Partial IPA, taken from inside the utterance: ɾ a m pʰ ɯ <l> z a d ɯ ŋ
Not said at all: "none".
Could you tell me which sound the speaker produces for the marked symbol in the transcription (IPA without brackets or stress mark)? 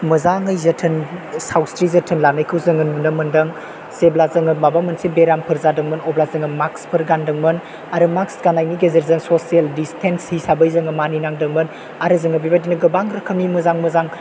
ɾ